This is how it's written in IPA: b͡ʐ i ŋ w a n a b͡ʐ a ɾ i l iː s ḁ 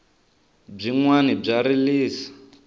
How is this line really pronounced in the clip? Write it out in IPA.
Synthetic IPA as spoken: b͡ʐ i ŋ w a n i b͡ʐ a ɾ i l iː s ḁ